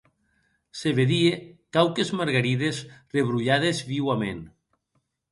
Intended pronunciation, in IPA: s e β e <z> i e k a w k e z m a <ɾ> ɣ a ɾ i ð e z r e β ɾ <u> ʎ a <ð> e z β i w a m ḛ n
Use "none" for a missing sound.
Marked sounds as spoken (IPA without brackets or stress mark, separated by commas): ð, ɾ, u, ð